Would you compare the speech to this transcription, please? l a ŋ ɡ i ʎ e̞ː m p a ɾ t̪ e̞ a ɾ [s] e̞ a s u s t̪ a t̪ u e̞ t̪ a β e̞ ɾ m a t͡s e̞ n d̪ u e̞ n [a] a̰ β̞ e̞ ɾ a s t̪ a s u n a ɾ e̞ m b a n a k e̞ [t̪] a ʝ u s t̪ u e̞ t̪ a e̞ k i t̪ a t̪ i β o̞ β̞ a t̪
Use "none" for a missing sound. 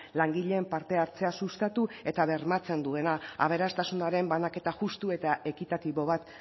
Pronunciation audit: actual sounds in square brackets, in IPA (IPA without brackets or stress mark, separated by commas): t͡s, a, t̪